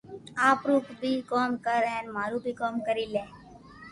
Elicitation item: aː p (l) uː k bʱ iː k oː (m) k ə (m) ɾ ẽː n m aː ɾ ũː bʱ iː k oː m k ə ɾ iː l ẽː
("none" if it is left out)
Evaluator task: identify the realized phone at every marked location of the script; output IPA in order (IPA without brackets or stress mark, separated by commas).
ɾ, m, none